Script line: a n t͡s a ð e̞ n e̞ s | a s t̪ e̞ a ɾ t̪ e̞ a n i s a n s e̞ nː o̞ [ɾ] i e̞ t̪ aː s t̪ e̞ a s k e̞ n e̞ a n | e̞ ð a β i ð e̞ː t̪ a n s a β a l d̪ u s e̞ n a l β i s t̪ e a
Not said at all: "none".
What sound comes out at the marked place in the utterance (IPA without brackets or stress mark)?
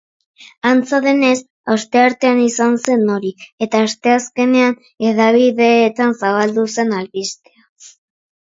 ɾ